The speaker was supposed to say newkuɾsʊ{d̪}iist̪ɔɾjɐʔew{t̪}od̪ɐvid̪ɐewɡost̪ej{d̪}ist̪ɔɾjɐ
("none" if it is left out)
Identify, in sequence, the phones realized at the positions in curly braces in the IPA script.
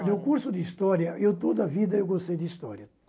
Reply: d̪, t̪, d̪

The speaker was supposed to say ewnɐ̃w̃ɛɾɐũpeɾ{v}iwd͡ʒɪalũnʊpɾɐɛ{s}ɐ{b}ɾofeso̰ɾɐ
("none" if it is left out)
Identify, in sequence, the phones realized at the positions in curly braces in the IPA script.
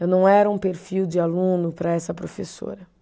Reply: f, s, p

